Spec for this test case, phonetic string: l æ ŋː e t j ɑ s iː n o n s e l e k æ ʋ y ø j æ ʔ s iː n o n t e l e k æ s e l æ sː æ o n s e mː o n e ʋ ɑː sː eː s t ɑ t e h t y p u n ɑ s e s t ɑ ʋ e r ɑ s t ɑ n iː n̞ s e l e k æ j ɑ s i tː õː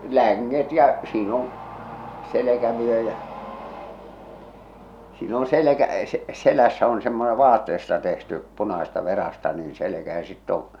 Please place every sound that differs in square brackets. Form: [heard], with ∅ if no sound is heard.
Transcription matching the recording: l æ ŋː e t j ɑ s iː n o n s e l e k æ ʋ y ø j æ ʔ s iː n o n [s] e l e k æ s e l æ sː æ o n s e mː o n e ʋ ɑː [tː] eː s t ɑ t e h t y p u n ɑ s e s t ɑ ʋ e r ɑ s t ɑ n iː n̞ s e l e k æ j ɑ s i tː õː